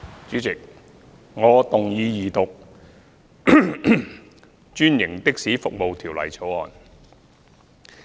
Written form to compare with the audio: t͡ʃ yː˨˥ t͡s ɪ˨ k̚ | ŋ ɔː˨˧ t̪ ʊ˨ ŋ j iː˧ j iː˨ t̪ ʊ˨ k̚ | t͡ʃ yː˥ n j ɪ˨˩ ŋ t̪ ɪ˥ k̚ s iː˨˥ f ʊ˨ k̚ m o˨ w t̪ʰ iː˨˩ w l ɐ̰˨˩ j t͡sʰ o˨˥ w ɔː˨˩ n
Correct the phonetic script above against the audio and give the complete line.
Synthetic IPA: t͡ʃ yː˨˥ t͡s ɪ˨ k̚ | ŋ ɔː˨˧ t̪ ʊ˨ ŋ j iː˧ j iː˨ t̪ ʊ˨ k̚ | t͡ʃ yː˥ n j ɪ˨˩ ŋ t̪ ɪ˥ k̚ s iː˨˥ f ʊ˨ k̚ m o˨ w t̪ʰ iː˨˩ w l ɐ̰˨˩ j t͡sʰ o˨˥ w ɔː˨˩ n

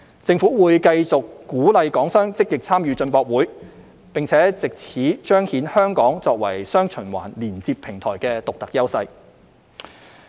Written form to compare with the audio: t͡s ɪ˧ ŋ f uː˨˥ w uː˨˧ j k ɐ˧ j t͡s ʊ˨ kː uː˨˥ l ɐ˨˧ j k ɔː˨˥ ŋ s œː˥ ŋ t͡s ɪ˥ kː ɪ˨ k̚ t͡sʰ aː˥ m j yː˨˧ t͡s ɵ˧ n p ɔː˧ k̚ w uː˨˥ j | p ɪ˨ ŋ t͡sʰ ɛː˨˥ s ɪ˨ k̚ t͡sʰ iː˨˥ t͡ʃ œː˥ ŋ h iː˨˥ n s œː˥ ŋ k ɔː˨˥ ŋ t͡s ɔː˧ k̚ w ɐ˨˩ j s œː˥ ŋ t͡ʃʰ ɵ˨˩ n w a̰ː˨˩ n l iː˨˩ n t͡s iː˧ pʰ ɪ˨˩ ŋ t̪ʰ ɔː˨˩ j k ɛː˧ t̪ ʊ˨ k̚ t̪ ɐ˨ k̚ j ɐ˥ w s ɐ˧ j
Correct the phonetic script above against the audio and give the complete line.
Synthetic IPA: t͡s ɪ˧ ŋ f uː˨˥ w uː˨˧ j k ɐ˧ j t͡s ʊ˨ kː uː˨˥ l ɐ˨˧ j k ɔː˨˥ ŋ s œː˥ ŋ t͡s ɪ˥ kː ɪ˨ k̚ t͡sʰ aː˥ m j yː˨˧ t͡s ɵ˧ n p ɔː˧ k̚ w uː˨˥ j | p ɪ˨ ŋ t͡sʰ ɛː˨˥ t͡s ɪ˨ k̚ t͡sʰ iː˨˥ t͡ʃ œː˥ ŋ h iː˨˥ n h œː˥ ŋ k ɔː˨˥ ŋ t͡s ɔː˧ k̚ w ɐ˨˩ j s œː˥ ŋ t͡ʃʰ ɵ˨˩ n w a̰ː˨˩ n l iː˨˩ n t͡s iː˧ pʰ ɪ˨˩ ŋ t̪ʰ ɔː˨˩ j k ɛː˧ t̪ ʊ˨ k̚ t̪ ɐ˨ k̚ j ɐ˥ w s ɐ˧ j

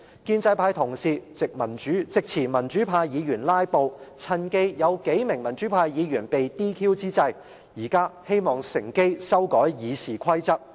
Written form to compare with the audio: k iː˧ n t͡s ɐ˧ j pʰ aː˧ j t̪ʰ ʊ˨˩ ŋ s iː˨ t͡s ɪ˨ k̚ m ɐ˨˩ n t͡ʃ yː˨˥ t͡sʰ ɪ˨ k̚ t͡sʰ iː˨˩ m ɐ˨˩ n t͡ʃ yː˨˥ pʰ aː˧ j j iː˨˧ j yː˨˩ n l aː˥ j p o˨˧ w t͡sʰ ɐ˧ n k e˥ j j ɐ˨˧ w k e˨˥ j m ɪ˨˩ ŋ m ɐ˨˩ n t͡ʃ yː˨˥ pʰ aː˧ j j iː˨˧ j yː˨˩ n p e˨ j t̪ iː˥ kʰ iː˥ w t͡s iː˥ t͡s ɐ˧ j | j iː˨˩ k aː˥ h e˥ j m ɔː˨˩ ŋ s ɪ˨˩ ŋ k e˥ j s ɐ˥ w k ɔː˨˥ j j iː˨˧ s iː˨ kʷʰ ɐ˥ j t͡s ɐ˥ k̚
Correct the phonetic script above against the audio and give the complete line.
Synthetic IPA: k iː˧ n t͡s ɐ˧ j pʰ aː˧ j t̪ʰ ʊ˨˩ ŋ s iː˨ t͡s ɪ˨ k̚ m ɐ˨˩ n t͡ʃ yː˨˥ t͡s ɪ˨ k̚ t͡sʰ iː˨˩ m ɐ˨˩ n t͡ʃ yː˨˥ pʰ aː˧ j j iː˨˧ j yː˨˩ n l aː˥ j p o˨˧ w t͡sʰ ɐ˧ n k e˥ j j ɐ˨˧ w k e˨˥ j m ɪ˨˩ ŋ m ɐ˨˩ n t͡ʃ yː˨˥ pʰ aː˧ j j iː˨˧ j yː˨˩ n p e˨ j t̪ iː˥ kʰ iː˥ w t͡s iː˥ t͡s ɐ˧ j | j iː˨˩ k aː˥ h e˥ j m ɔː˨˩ ŋ s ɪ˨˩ ŋ k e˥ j s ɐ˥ w k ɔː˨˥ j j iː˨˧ s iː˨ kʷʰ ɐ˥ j t͡s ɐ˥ k̚

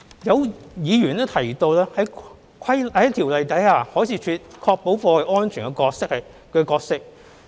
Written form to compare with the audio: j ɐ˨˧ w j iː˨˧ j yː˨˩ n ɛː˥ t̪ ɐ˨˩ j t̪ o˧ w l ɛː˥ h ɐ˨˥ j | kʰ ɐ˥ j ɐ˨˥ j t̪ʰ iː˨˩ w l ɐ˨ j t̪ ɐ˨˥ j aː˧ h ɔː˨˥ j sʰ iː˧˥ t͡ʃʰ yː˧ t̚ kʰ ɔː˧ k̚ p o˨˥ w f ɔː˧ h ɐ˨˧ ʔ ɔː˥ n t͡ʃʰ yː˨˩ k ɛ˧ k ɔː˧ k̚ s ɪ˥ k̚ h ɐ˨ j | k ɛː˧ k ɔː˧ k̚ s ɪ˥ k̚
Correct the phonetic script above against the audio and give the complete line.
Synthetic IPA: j ɐ˨˧ w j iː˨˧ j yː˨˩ n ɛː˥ t̪ʰ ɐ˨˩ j t̪ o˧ w l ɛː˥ h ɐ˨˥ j | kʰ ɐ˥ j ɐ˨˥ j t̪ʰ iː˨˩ w l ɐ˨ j t̪ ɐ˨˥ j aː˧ h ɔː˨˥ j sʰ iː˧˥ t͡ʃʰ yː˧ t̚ kʰ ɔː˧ k̚ p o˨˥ w f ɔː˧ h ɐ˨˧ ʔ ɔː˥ n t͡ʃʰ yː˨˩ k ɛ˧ k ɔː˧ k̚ s ɪ˥ k̚ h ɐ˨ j | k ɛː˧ k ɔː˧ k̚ s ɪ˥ k̚

